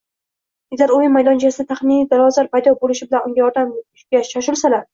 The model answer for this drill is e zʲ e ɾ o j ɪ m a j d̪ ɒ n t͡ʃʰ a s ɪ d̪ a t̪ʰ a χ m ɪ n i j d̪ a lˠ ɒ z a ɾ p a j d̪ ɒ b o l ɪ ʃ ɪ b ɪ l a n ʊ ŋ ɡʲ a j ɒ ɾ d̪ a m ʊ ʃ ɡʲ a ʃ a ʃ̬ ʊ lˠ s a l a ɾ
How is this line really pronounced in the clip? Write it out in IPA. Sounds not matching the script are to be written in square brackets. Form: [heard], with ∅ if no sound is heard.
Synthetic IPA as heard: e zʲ [a] ɾ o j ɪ m a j d̪ ɒ n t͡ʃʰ a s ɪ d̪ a t̪ʰ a χ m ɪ n i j d̪ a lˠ ɒ z a ɾ p a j d̪ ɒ b o l ɪ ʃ ɪ b ɪ l a n ʊ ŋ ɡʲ a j ɒ ɾ d̪ a m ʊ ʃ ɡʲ a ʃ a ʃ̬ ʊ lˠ s a l a ɾ